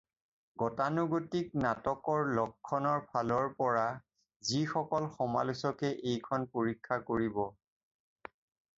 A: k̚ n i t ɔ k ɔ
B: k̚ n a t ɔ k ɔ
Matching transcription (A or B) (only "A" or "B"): B